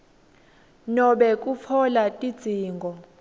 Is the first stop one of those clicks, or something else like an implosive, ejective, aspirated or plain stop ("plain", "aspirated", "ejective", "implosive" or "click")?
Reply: implosive